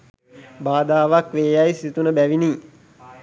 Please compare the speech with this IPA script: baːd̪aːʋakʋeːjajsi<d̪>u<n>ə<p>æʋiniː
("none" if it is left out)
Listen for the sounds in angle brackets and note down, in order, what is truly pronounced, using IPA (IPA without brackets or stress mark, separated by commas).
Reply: t̪, n, b